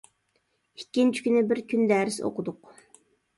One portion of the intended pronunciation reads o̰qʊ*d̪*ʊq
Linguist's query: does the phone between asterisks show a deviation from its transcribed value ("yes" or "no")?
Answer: no